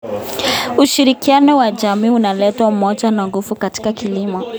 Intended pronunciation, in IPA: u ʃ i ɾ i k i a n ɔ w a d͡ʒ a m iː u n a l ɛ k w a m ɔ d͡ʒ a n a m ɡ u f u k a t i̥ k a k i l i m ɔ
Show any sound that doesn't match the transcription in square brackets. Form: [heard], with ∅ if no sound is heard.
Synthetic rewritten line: u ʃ i ɾ i k i a n ɔ w a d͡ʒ a m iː u n a l ɛ [t] w a m ɔ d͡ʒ a n a [ŋ] ɡ u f u k a t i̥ k a k i l i m ɔ